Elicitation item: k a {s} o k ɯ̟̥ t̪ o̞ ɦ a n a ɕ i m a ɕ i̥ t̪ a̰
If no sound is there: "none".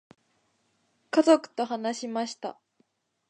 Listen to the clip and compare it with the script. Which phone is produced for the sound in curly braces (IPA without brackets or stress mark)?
z